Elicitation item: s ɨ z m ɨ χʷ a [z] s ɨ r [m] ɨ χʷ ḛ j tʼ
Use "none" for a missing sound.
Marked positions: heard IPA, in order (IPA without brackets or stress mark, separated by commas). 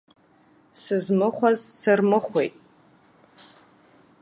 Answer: z, m